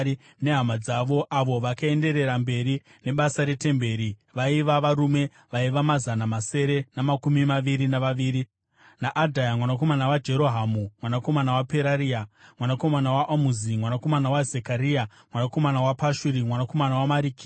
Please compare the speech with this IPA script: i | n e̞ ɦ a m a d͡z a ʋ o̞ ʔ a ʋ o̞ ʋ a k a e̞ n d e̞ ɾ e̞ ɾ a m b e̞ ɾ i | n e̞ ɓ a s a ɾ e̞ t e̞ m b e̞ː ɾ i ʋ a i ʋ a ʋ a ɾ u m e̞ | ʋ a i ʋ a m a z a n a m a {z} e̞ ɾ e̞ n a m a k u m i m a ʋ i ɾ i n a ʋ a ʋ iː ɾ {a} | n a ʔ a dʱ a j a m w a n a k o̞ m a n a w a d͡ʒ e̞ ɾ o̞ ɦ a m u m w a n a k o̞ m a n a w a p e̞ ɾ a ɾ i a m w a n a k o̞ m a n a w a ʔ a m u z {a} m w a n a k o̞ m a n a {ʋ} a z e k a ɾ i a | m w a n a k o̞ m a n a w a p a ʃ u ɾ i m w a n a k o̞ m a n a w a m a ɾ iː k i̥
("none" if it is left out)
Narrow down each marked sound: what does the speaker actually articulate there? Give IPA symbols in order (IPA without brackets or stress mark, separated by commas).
s, i, i, w